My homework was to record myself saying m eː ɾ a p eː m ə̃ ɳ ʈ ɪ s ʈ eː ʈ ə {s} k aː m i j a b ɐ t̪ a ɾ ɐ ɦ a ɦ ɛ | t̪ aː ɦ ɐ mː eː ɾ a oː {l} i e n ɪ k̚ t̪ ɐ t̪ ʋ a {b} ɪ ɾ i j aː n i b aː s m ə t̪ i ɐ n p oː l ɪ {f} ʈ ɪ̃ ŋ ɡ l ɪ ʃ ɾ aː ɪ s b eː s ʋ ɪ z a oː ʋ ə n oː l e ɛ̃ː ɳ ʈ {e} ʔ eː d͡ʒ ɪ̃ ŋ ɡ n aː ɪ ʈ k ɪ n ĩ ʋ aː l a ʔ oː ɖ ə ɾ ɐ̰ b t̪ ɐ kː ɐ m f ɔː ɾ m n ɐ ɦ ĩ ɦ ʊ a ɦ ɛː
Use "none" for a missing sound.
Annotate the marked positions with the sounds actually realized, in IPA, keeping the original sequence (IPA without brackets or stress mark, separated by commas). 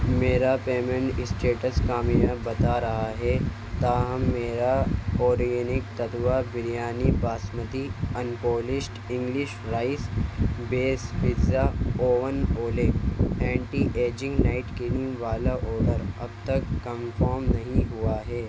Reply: s, ɾ, b, ʃ, i